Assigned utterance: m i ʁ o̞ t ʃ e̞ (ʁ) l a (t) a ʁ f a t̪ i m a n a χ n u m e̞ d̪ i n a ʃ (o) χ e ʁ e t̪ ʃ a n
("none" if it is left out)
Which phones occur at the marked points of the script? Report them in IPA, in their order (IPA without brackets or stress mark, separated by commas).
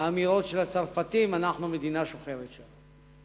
none, t͡s, o